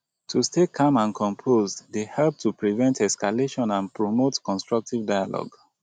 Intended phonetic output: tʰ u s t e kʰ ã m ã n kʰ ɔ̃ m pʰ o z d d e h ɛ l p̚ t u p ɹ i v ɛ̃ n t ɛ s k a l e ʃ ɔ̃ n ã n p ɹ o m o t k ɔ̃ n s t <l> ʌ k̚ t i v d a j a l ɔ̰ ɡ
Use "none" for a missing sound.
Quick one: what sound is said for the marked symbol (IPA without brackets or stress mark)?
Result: ɹ